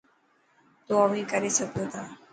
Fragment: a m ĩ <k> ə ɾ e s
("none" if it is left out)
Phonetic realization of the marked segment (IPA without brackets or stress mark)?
k